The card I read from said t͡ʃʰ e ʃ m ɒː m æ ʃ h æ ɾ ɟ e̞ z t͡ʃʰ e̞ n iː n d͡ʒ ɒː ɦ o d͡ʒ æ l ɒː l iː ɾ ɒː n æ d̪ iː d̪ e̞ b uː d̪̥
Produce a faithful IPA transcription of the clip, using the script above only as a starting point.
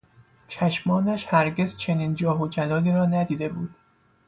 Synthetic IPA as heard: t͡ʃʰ æ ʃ m ɒː n æ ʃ h æ ɾ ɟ e̞ z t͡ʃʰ e̞ n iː n d͡ʒ ɒː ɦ o d͡ʒ æ l ɒː l iː ɾ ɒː n æ d̪ iː d̪ e̞ b uː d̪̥

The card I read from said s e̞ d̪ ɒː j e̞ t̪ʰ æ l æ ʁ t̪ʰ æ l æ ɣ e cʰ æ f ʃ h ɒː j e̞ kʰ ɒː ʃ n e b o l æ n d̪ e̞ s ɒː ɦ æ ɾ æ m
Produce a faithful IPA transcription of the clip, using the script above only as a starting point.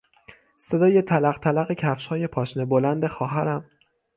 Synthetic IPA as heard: s e̞ d̪ ɒː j e̞ t̪ʰ æ l æ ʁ t̪ʰ æ l æ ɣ e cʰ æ f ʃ h ɒː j e̞ pʰ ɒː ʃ n e b o l æ n d̪ e̞ x ɒː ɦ æ ɾ æ m

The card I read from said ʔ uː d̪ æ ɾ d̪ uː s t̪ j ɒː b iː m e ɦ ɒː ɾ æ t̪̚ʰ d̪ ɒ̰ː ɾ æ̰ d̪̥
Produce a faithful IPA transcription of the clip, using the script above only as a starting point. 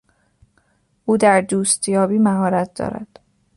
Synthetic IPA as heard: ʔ uː d̪ æ ɾ d̪ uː s t̪ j ɒː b iː m æ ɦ ɒː ɾ æ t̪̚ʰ d̪ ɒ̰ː ɾ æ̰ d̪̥

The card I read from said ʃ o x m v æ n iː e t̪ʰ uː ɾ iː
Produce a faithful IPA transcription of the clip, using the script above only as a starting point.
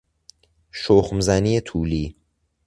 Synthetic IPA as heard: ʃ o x m z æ n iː e t̪ʰ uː l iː

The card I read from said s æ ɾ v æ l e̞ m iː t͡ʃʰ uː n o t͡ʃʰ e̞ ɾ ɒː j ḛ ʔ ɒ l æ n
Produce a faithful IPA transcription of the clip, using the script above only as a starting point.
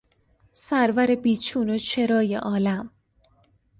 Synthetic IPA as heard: s æ ɾ v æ ɾ e̞ b iː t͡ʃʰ uː n o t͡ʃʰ e̞ ɾ ɒː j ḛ ʔ ɒː l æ m

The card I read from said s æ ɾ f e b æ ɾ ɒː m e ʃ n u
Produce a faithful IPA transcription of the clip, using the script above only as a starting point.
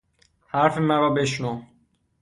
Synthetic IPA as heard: h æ ɾ f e m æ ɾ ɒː b e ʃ n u

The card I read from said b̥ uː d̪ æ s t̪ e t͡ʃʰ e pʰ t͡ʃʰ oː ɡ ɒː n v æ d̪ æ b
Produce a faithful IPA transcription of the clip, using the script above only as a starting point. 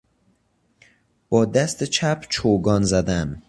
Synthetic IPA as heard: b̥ ɒː d̪ æ s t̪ e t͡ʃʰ æ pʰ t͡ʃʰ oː ɡ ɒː n z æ d̪ æ m

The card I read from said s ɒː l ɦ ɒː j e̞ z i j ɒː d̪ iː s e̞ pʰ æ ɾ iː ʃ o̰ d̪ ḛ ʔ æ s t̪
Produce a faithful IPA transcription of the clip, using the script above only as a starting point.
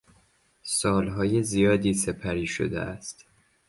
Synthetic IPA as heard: s ɒː l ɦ ɒː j e̞ z i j ɒː d̪ iː s e̞ pʰ æ ɾ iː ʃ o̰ d̪ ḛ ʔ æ s t̪

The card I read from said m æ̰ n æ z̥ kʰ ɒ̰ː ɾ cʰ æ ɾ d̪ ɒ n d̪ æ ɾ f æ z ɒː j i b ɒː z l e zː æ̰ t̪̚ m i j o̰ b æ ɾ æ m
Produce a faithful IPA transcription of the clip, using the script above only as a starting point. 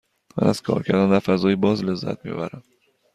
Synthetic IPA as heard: m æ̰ n æ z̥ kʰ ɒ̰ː ɾ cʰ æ ɾ d̪ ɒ n d̪ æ ɾ f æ z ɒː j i b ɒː z l e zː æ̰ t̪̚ m i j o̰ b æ ɾ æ m

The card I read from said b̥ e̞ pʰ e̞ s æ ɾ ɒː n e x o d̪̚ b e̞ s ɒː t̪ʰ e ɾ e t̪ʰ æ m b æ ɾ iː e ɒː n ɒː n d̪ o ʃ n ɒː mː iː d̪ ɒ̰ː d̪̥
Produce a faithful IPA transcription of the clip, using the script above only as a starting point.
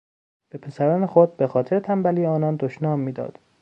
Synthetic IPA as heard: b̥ e̞ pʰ e̞ s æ ɾ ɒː n e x o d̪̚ b e̞ x ɒː t̪ʰ e ɾ e t̪ʰ æ m b æ l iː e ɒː n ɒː n d̪ o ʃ n ɒː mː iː d̪ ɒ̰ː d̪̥

